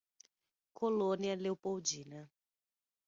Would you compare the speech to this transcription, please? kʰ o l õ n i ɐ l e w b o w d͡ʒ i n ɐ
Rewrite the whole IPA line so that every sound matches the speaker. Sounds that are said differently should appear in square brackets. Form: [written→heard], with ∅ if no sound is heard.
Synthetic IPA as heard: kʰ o l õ n i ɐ l e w [b→p] o w d͡ʒ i n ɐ

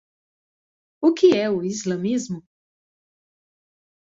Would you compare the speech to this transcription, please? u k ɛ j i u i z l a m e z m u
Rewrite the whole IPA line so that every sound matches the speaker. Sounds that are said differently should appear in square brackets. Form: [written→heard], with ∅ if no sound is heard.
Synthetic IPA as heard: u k [ɛ→i] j [i→ɛ] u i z l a m [e→i] z m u

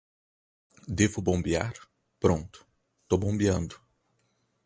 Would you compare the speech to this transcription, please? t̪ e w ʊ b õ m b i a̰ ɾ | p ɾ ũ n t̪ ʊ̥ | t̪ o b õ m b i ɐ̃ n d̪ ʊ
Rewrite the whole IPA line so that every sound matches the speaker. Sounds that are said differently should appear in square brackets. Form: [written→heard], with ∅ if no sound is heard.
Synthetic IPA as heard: [t̪→d̪] e [w→v] ʊ b õ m b i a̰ ɾ | p ɾ [ũ→õ] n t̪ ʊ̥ | t̪ o b õ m b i ɐ̃ n d̪ ʊ

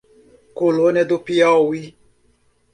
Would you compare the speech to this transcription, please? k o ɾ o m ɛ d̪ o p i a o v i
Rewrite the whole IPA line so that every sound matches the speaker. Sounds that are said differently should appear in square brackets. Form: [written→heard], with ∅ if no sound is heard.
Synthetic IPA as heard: k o [ɾ→l] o [m→n] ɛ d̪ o p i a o [v→w] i

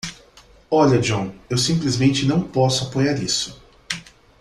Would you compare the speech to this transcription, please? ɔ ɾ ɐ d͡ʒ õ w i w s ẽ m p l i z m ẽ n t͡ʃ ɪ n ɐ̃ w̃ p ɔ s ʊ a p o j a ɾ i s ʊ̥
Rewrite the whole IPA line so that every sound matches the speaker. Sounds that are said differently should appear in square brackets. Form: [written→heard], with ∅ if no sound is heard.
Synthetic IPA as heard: ɔ [ɾ→ʎ] ɐ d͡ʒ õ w [i→e] w s [ẽ→ĩ] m p l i z m ẽ n t͡ʃ ɪ n ɐ̃ w̃ p ɔ s ʊ a p o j a ɾ i s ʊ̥

